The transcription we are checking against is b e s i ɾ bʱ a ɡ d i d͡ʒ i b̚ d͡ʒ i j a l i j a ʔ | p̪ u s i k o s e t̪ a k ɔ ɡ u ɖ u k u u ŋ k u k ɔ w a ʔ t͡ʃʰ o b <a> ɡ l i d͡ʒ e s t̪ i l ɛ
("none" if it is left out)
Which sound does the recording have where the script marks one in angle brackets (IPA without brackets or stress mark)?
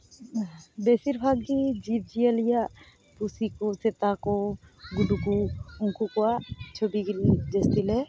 i